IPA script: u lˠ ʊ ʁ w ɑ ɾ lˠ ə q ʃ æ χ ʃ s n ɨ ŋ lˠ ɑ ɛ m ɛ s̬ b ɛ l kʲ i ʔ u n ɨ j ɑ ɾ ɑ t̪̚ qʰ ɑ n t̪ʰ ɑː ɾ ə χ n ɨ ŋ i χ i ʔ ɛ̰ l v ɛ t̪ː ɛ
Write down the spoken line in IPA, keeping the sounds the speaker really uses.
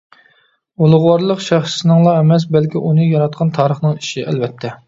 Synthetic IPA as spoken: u lˠ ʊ ʁ w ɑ ɾ lˠ ə q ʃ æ χ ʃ s n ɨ ŋ lˠ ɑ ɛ m ɛ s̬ b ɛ l kʲ i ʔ u n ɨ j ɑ ɾ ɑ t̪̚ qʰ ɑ n t̪ʰ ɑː ɾ ə χ n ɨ ŋ i ʃ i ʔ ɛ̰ l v ɛ t̪ʰː ɛ

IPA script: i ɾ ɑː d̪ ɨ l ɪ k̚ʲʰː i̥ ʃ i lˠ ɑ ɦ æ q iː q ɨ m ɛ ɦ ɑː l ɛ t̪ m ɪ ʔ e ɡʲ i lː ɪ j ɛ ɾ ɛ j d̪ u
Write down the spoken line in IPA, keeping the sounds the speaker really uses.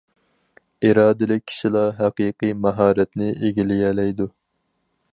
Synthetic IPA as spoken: i ɾ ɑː d̪ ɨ l ɪ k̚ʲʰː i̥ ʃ i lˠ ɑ ɦ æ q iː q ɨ m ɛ ɦ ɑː ɾ ɛ t̪ n ɪ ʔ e ɡʲ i l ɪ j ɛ l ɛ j d̪ u

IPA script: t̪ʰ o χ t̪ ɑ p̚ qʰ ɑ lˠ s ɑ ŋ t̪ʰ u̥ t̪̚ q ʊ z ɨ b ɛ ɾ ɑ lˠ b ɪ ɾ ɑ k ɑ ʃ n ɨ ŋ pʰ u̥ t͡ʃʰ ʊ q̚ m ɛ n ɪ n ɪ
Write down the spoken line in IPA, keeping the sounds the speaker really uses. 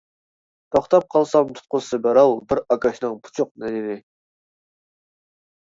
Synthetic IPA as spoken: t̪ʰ o χ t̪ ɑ p̚ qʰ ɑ lˠ s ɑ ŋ t̪ʰ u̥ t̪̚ q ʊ s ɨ b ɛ ɾ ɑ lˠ b ɪ ɾ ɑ k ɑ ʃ n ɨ ŋ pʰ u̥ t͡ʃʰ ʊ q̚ n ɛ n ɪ n ɪ

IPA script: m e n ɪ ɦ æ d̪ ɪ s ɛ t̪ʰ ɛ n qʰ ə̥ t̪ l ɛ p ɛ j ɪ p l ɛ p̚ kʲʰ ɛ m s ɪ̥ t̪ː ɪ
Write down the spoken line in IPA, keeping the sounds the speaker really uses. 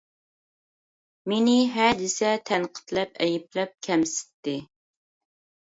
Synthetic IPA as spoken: m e n ɪ ɦ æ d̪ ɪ s ɛ t̪ʰ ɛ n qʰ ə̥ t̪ l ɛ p ɛ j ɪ p l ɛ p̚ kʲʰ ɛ m s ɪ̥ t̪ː ɪ

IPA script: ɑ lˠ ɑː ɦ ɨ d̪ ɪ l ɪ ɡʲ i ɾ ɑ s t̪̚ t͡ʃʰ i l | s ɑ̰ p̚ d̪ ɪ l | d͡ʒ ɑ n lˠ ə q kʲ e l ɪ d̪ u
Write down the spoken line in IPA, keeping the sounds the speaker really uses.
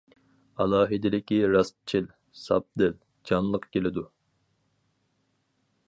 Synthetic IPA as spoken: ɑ lˠ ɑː ɦ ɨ d̪ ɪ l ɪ kʲ i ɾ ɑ s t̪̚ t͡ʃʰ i l | s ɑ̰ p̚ d̪ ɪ l | d͡ʒ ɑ n lˠ ə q kʲ e l ɪ d̪ u

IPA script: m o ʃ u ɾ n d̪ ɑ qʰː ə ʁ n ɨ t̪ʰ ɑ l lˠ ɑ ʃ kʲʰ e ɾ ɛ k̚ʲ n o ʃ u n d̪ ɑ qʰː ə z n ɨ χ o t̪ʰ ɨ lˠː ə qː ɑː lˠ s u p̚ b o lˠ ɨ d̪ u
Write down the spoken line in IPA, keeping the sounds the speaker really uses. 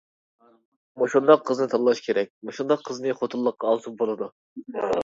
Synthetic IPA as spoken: m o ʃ u n d̪ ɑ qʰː ə z n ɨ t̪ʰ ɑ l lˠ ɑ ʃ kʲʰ e ɾ ɛ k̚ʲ m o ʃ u n d̪ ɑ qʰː ə z n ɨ χ o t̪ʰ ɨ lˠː ə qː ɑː lˠ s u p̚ b o lˠ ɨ d̪ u

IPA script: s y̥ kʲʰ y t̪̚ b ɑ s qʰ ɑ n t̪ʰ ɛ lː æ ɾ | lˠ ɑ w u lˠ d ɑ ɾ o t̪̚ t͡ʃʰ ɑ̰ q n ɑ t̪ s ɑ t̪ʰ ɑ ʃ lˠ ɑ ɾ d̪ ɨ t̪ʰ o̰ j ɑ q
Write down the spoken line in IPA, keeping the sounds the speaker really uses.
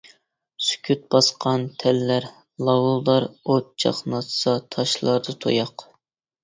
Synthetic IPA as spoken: s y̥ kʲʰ y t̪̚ b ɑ s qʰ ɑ n t̪ʰ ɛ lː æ ɾ | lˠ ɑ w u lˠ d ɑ ɾ o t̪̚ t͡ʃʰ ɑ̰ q n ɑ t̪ s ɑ t̪ʰ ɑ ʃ lˠ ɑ ɾ d̪ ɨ t̪ʰ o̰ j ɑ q

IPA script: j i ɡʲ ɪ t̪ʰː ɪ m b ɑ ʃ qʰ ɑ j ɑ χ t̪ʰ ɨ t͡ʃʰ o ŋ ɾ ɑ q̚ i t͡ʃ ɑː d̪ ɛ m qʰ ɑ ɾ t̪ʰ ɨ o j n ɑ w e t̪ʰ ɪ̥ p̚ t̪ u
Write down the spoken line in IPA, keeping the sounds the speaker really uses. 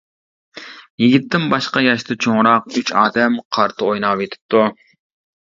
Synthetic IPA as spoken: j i ɡʲ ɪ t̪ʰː ɪ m b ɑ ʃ q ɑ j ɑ ʃ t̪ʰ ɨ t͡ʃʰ o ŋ ɾ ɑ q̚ y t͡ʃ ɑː d̪ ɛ m qʰ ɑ ɾ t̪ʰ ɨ o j n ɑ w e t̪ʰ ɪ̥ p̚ t̪ u

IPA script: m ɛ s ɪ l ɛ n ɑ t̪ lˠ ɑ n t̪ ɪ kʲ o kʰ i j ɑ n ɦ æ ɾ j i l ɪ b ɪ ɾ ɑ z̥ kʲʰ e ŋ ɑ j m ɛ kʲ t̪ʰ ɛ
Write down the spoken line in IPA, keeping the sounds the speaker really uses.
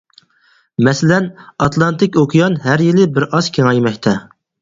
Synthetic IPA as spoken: m ɛ s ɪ l ɛ n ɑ t̪ lˠ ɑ n t̪ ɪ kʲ o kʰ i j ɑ n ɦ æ ɾ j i l ɪ b ɪ ɾ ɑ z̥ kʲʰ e ŋ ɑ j m ɛ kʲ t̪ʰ ɛ

